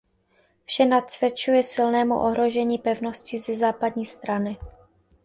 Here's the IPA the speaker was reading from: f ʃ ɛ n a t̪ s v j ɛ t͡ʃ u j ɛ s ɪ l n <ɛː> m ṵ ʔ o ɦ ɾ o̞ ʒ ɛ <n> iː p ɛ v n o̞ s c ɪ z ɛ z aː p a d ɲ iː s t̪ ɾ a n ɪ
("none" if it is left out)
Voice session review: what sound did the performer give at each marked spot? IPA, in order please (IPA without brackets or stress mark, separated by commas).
ɛː, ɲ